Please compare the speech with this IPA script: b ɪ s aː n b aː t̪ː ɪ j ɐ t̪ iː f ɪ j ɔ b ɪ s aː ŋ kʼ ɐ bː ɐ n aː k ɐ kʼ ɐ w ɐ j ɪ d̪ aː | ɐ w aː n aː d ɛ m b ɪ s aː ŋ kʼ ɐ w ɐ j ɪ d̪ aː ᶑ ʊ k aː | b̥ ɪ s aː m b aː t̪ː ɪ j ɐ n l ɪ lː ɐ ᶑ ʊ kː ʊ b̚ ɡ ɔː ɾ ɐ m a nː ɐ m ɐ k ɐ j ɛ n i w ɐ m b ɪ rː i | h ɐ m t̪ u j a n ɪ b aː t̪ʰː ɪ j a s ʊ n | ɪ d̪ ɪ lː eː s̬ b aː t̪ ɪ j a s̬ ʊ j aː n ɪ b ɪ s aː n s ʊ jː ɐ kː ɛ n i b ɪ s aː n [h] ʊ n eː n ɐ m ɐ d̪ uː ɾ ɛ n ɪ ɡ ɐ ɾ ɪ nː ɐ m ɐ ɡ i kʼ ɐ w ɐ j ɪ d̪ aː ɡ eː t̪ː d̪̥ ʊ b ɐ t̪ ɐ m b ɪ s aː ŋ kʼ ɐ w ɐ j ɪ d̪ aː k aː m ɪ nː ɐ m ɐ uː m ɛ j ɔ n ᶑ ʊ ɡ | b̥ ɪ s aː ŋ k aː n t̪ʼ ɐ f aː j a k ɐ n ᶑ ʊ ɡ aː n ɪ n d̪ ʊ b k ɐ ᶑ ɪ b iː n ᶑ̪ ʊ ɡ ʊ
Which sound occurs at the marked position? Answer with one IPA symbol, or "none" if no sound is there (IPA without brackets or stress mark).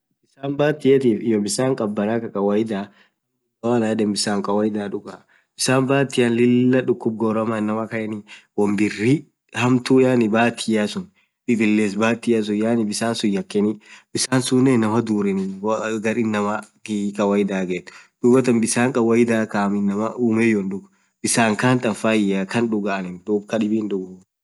s